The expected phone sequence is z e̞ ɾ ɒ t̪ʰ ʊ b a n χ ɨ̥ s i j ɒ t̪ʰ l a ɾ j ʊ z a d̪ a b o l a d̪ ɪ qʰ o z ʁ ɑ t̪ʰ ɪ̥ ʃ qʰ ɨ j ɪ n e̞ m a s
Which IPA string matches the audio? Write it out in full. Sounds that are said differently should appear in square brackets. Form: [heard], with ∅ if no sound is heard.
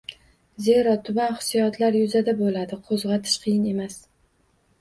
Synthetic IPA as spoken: z e̞ ɾ ɒ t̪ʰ ʊ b a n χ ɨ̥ s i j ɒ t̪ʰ l a ɾ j ʊ z a d̪ a b o l a d̪ ɪ qʰ o z ʁ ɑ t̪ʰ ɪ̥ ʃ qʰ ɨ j ɪ n e̞ m a s